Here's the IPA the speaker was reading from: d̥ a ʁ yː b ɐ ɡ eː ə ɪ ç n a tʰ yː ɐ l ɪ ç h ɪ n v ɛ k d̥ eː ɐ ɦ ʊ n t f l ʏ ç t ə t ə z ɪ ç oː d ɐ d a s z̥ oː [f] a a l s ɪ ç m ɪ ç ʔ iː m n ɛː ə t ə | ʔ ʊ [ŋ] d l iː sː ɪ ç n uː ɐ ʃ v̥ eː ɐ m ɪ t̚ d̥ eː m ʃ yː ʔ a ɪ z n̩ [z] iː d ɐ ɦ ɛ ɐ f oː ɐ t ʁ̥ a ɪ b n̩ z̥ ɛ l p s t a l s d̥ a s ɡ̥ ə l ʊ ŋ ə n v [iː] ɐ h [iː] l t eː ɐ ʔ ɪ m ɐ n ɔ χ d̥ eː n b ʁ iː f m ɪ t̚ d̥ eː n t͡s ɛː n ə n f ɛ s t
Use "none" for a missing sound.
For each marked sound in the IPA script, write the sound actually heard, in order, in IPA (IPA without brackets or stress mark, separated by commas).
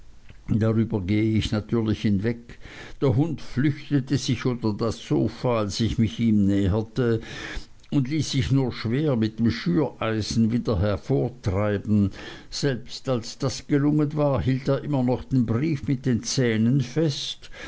f, n, v, aː, iː